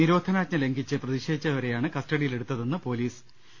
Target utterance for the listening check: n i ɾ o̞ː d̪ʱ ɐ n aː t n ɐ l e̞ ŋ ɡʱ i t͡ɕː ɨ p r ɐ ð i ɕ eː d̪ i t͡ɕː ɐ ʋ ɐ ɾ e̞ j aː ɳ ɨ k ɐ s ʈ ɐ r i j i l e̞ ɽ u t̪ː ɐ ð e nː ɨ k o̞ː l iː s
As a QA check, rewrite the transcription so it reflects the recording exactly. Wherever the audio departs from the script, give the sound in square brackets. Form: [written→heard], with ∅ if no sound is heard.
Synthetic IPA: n i ɾ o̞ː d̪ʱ ɐ n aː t [n→ɲ] ɐ l e̞ ŋ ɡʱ i t͡ɕː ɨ p r ɐ ð i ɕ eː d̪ i t͡ɕː ɐ ʋ ɐ ɾ e̞ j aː ɳ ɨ k ɐ s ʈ ɐ [r→ɽ] i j i l e̞ ɽ u t̪ː ɐ ð e nː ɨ [k→p] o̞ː l iː s

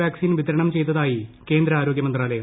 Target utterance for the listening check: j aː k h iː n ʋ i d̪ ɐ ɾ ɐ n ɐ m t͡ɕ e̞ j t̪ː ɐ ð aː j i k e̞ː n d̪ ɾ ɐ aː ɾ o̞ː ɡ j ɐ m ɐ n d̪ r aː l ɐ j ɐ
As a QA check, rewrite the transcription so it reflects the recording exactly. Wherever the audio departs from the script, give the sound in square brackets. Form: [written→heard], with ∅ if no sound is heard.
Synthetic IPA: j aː k [h→s] iː n ʋ i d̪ ɐ ɾ ɐ [n→ɳ] ɐ m t͡ɕ e̞ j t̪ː ɐ ð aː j i k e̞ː n d̪ ɾ ɐ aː ɾ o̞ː ɡ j ɐ m ɐ n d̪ r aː l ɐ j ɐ

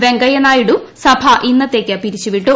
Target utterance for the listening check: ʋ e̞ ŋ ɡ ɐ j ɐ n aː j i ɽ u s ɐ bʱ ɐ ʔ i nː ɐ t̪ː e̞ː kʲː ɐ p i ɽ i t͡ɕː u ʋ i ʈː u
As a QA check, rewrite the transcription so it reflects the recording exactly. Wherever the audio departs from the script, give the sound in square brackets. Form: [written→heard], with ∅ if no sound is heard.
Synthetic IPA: ʋ e̞ ŋ ɡ ɐ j ɐ n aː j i ɽ u s ɐ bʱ ɐ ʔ i nː ɐ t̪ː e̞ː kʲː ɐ p i [ɽ→ɾ] i t͡ɕː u ʋ i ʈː u

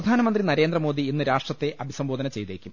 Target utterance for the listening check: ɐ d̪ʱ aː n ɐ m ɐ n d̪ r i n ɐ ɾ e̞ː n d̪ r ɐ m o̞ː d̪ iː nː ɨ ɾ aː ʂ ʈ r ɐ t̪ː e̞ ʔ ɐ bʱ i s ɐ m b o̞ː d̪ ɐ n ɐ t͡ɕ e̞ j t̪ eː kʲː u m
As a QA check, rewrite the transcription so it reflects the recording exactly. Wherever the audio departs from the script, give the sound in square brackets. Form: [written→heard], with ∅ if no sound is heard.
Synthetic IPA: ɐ d̪ʱ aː n ɐ m ɐ n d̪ r i n ɐ ɾ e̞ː n d̪ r ɐ m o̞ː d̪ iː nː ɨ ɾ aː ʂ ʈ r ɐ t̪ː e̞ ʔ ɐ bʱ i s ɐ m b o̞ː d̪ ɐ n ɐ t͡ɕ e̞ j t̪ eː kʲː u m

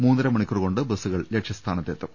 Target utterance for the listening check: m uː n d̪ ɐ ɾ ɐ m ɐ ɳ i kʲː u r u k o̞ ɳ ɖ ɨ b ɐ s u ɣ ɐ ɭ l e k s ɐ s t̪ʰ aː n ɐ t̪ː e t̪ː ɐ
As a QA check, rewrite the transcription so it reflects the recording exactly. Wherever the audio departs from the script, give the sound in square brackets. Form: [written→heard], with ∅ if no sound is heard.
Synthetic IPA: m uː n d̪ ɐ ɾ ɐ m ɐ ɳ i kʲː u r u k o̞ ɳ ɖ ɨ b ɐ s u ɣ ɐ ɭ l e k [s→ʂ] ɐ s t̪ʰ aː n ɐ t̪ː e t̪ː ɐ

